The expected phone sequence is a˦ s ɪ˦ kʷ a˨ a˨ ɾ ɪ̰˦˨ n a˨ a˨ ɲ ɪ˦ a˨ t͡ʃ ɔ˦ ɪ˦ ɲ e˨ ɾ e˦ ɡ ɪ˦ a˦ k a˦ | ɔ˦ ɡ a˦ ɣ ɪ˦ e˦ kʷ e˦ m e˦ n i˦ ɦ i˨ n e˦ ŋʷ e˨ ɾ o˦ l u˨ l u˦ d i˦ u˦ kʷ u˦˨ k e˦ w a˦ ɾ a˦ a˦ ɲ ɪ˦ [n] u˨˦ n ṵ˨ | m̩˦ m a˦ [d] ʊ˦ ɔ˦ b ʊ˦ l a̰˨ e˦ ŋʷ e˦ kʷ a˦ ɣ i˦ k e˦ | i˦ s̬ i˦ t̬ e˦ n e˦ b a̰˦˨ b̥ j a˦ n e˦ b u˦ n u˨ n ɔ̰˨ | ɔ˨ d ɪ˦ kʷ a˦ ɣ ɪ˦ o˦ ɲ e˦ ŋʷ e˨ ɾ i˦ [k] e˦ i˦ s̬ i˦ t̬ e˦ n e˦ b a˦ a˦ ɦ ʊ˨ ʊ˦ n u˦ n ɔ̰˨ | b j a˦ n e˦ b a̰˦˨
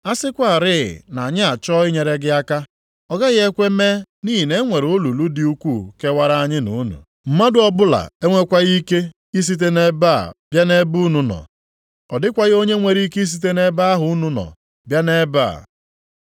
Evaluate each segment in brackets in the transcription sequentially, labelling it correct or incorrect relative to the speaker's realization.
correct, correct, correct

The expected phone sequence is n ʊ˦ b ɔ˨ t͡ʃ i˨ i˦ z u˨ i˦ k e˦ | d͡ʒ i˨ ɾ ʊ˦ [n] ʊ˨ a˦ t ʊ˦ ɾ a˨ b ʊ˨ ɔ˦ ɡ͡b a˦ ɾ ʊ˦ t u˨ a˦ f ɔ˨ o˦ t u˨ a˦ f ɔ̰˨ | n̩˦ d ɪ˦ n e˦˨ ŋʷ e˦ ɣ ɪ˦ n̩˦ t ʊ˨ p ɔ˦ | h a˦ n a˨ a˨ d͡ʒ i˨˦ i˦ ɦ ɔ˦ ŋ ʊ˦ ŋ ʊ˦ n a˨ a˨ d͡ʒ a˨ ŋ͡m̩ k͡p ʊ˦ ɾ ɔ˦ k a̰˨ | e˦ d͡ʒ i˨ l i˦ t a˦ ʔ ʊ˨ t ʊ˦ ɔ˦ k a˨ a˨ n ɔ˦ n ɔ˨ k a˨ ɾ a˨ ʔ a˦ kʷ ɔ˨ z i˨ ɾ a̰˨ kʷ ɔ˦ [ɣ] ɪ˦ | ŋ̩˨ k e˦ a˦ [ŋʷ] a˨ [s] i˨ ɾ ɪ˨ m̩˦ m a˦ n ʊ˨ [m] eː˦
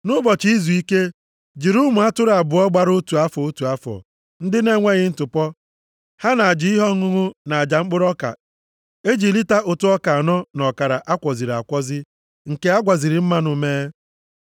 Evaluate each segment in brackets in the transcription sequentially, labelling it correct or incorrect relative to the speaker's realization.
incorrect: m, incorrect: z, incorrect: ɡʷ, incorrect: z, correct

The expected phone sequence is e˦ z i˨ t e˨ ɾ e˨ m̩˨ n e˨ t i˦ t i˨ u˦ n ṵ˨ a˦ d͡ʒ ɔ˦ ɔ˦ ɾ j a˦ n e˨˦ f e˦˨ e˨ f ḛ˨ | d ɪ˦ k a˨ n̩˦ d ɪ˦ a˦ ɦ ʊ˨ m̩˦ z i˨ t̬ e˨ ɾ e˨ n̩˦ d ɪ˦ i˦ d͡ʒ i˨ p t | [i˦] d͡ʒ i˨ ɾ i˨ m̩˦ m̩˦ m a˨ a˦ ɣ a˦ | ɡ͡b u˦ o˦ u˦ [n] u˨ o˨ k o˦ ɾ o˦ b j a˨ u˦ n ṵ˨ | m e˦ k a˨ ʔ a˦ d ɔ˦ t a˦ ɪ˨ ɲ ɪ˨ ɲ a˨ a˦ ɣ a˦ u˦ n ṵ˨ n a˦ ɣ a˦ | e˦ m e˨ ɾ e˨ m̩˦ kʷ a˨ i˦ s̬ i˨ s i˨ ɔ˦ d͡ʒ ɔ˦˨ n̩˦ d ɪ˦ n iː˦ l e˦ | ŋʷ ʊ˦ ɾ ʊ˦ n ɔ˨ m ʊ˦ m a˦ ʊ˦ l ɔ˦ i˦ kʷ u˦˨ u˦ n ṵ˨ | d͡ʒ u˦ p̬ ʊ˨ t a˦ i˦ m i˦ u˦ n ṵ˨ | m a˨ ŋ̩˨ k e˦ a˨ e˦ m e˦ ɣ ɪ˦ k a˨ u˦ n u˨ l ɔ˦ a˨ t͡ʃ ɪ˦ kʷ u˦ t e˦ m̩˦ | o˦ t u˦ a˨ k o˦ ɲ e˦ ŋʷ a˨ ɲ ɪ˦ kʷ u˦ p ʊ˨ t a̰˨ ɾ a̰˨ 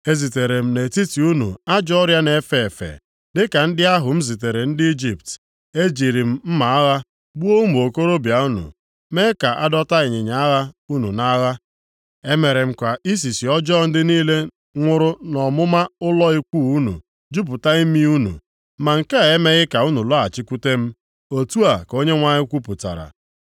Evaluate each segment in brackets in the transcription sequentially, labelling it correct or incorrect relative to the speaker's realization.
incorrect: e˦, incorrect: m

